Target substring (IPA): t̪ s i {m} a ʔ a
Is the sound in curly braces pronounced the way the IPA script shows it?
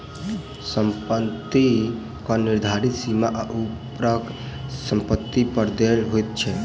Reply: yes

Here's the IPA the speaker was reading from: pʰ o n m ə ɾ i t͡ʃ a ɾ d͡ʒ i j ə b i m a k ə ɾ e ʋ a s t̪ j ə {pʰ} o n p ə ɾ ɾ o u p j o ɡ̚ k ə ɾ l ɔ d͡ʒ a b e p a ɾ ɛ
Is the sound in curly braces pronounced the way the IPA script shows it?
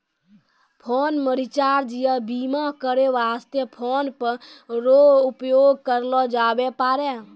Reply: yes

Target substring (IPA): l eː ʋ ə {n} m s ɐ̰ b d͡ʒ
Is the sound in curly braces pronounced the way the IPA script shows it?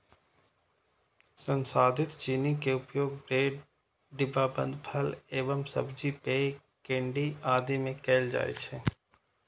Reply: no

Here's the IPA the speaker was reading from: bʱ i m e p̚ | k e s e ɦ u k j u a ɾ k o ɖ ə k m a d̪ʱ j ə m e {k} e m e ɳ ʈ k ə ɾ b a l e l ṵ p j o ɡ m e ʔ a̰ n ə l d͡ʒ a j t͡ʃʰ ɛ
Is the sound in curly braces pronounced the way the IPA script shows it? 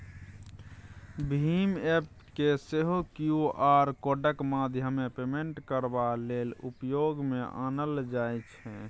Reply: no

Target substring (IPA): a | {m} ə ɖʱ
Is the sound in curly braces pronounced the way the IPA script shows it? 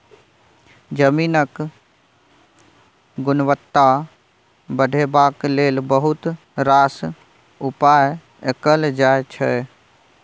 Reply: no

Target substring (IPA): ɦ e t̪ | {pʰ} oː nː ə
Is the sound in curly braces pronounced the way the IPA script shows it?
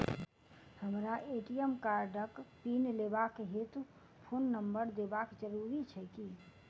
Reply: yes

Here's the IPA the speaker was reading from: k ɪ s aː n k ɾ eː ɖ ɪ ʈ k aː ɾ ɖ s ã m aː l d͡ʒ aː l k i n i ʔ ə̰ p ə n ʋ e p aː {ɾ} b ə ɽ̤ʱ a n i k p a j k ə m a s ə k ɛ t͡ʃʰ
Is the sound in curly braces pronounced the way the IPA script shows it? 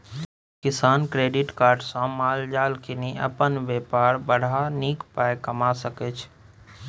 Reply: yes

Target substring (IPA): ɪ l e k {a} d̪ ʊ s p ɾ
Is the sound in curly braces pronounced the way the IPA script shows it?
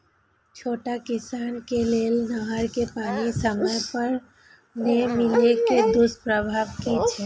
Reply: no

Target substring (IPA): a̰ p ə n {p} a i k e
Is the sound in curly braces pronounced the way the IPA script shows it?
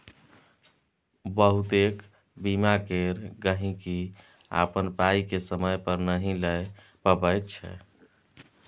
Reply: yes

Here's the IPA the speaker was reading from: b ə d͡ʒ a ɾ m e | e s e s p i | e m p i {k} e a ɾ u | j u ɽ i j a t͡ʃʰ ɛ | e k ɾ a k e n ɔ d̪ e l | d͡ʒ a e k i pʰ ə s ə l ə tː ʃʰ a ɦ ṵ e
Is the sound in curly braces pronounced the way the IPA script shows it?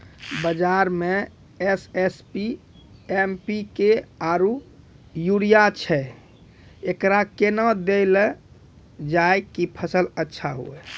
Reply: yes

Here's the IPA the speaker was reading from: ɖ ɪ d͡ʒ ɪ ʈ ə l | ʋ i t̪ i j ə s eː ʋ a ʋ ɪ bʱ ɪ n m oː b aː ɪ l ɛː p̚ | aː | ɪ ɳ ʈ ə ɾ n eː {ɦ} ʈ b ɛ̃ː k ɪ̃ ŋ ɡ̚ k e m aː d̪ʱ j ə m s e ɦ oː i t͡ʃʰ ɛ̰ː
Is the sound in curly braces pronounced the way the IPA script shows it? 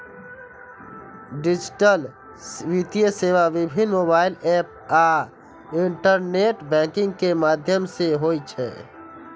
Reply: no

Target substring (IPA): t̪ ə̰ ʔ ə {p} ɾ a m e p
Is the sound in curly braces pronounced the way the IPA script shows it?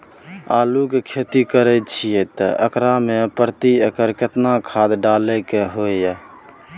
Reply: no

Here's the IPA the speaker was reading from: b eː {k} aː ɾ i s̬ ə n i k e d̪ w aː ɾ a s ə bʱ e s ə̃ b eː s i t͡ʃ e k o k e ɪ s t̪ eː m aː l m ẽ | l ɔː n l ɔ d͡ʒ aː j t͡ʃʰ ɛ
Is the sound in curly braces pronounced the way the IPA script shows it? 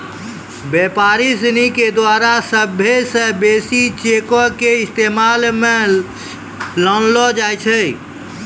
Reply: no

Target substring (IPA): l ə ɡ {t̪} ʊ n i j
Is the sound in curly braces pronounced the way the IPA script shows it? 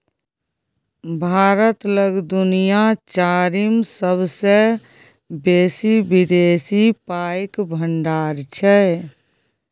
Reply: no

